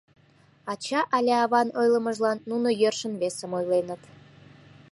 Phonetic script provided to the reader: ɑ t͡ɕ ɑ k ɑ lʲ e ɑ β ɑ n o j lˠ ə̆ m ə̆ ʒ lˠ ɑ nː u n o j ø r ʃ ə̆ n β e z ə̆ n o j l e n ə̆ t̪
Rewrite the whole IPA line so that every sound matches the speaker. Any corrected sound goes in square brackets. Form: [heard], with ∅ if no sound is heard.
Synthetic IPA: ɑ t͡ɕ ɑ [ʔ] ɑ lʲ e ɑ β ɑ n o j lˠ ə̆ m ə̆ ʒ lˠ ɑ nː u n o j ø r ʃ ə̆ n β e [s] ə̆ [m] o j l e n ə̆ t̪